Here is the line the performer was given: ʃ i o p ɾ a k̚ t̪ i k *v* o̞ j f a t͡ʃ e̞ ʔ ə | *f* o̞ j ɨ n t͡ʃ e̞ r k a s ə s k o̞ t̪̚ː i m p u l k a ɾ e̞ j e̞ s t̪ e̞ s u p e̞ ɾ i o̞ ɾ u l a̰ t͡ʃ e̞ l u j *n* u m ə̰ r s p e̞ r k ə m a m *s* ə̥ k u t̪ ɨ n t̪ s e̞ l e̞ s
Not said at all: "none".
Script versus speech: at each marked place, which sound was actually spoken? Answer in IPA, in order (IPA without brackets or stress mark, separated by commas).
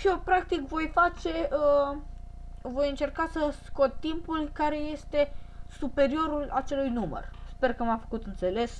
v, v, n, f